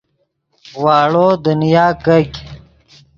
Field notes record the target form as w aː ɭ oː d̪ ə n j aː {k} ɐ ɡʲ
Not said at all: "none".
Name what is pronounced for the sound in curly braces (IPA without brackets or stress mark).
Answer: k